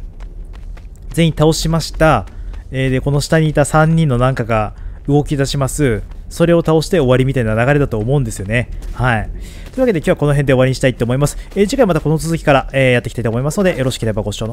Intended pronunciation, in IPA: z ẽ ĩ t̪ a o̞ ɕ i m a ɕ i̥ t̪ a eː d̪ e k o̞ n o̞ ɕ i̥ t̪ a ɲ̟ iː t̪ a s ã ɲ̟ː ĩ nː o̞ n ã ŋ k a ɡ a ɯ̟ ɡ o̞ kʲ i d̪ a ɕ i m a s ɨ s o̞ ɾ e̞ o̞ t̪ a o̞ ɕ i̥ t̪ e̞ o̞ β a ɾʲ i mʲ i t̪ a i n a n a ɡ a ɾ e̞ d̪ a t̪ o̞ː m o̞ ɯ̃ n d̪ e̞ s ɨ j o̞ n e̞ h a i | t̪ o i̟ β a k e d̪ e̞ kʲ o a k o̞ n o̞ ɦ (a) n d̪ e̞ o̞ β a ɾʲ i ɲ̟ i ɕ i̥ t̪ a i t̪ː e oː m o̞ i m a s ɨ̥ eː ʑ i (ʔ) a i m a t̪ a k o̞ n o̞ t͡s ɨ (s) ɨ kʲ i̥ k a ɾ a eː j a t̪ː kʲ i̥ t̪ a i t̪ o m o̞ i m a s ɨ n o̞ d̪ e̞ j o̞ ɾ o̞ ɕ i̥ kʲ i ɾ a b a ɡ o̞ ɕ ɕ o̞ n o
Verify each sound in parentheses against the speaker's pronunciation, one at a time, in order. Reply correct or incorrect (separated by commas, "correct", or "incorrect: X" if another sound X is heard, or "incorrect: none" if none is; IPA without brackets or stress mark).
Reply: incorrect: e, incorrect: k, incorrect: z